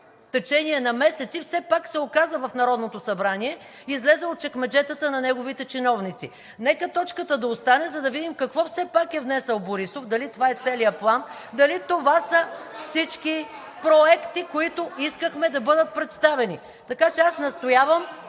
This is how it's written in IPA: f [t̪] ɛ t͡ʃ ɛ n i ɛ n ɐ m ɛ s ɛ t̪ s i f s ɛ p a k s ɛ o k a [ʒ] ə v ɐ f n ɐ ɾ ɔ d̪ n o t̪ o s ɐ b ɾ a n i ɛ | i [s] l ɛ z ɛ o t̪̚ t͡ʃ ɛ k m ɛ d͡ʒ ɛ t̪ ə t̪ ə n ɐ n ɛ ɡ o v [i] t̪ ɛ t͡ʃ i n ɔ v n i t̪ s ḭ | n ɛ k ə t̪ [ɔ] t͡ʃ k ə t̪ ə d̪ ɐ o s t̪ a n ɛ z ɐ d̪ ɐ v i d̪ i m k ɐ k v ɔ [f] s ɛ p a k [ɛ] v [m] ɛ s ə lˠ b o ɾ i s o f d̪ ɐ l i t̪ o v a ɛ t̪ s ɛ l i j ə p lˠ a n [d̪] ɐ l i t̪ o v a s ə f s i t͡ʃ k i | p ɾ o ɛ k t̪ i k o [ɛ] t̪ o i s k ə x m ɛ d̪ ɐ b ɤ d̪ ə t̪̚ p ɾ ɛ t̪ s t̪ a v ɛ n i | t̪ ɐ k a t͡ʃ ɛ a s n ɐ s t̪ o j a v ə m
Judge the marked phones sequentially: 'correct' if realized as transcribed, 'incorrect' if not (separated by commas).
correct, incorrect, incorrect, correct, correct, correct, correct, incorrect, correct, incorrect